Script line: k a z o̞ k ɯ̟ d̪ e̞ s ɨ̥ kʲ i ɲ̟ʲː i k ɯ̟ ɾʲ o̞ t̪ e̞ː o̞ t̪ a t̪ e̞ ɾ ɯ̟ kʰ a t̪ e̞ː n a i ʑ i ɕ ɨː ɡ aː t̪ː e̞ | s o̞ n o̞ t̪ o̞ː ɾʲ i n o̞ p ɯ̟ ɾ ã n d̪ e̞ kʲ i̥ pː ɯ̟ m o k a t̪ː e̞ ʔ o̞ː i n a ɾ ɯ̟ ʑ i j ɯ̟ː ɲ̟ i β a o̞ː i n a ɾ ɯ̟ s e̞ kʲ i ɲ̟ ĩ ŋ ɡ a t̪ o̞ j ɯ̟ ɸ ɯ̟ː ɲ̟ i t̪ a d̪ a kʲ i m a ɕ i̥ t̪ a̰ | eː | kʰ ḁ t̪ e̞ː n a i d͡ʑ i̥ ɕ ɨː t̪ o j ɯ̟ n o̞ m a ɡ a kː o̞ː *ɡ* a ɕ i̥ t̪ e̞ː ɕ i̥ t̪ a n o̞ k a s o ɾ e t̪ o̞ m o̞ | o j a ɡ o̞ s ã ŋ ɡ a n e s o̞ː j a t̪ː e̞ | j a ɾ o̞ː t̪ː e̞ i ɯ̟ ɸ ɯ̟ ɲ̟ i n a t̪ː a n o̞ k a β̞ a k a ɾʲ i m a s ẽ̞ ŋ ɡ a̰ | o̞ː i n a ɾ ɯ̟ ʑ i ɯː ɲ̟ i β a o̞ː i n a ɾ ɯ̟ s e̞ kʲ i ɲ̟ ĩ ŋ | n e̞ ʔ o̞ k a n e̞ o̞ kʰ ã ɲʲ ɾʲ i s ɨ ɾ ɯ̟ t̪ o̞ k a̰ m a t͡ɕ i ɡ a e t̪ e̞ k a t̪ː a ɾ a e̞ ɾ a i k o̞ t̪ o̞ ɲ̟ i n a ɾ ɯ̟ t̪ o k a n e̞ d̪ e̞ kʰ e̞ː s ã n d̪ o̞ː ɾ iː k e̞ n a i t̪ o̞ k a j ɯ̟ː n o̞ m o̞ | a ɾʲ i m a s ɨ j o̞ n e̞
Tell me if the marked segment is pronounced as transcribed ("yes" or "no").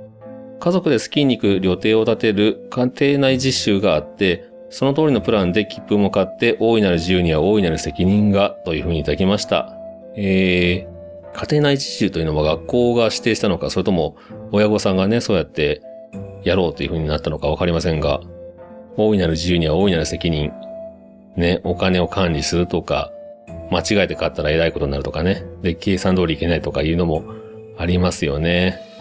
yes